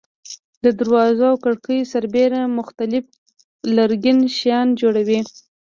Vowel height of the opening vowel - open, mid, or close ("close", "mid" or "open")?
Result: mid